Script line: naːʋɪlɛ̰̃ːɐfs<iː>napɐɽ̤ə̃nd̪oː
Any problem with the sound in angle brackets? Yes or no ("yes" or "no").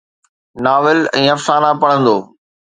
yes